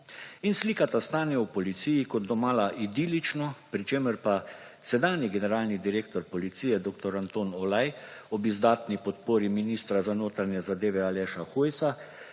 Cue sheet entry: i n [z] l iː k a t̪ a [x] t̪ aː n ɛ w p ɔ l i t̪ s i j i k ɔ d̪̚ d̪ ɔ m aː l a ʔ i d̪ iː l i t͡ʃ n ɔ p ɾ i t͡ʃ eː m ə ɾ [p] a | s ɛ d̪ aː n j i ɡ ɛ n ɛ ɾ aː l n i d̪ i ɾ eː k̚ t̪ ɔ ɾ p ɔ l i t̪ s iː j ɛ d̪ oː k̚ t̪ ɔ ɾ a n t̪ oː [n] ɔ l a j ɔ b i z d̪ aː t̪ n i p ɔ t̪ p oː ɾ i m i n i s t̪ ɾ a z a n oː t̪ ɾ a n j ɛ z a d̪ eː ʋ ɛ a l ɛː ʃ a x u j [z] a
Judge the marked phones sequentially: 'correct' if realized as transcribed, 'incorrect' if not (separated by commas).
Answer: incorrect, incorrect, correct, correct, incorrect